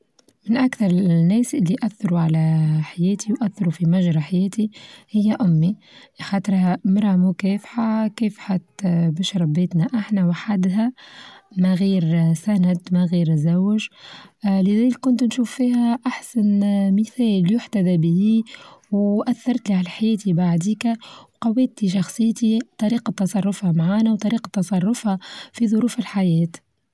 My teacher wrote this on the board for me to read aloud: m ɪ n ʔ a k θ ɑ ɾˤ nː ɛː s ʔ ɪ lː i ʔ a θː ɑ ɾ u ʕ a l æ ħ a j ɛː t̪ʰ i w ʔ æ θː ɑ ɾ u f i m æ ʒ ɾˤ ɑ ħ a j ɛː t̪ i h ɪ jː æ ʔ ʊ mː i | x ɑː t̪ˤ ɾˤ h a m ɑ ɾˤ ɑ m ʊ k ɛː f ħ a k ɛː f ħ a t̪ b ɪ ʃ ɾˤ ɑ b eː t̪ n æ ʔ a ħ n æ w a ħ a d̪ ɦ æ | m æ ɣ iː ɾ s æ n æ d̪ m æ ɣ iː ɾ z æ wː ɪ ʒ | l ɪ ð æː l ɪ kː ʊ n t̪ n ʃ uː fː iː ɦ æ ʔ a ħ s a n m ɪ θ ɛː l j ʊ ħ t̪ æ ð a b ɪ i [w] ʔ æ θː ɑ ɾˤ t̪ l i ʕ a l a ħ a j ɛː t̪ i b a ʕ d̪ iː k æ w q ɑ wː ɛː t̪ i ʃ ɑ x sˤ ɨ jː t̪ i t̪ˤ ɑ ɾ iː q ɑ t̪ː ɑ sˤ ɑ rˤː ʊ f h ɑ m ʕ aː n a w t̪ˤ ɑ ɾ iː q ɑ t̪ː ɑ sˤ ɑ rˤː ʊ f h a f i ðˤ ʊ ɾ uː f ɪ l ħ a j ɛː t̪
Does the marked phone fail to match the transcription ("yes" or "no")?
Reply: no